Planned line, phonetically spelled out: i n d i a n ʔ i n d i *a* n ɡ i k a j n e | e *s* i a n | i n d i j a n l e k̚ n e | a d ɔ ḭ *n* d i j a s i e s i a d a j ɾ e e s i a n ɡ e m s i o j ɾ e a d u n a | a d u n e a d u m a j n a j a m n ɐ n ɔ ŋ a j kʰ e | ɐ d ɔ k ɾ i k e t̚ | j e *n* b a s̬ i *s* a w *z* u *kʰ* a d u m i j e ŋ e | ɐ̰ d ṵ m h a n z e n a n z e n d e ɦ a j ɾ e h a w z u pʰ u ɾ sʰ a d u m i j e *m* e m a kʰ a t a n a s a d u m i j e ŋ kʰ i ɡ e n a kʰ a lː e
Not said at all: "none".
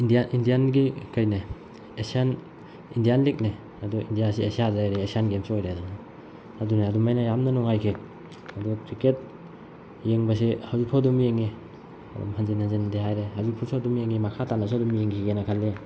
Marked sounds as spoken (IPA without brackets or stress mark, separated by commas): a, s, n, ŋ, h, z, pʰ, ŋ